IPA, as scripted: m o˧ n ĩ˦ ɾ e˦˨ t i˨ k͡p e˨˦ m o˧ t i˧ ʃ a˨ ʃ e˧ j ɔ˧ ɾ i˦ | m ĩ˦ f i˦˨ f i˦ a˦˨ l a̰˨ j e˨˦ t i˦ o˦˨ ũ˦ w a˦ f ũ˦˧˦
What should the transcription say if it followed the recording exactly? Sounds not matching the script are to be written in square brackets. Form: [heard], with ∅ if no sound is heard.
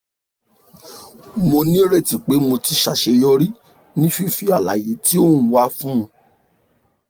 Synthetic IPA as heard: m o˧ n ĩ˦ ɾ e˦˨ t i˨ k͡p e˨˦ m o˧ t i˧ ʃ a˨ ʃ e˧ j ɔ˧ ɾ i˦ | [n] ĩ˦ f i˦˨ f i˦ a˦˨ l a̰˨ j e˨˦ t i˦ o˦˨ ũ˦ w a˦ f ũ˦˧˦